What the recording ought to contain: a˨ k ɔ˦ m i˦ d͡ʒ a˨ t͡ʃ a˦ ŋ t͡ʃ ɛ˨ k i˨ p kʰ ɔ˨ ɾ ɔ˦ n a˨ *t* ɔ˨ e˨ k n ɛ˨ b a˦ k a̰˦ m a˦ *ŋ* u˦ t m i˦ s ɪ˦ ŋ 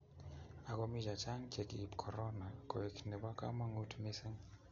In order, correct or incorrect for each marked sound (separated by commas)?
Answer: incorrect, correct